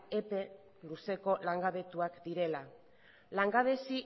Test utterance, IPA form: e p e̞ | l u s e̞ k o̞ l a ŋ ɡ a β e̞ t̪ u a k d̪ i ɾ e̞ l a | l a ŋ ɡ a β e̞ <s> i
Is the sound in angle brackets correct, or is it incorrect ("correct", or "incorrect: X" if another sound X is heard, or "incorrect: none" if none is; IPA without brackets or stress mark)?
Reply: correct